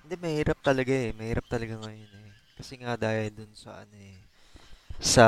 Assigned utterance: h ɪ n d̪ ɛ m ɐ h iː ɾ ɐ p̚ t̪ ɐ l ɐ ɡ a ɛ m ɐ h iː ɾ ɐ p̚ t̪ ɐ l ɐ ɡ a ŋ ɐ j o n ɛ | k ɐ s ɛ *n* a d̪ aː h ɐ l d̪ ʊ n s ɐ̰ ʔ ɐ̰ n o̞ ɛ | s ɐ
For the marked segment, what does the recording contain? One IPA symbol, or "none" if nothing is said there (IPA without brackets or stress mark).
ŋ